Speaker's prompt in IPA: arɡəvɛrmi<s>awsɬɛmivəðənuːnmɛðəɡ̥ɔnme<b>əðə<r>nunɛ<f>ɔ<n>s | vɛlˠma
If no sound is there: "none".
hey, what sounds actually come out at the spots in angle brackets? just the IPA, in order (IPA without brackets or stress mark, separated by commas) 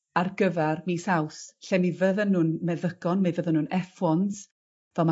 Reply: s, v, none, f, n